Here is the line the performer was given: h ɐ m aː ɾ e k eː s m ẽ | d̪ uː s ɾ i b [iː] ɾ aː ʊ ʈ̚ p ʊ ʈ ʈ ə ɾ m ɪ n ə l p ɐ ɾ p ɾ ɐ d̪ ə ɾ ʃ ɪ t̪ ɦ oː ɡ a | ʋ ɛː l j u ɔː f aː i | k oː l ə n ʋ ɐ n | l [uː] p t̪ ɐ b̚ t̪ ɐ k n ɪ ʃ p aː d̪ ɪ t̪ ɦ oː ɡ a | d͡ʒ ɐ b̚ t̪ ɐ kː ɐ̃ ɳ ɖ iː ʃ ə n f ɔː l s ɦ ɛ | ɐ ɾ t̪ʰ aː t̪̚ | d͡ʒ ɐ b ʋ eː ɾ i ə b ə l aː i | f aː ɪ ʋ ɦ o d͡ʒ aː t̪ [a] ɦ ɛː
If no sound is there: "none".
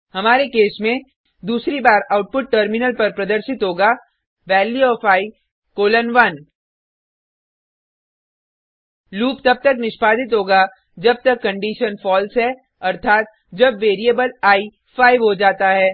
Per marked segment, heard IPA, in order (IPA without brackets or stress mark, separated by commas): aː, uː, a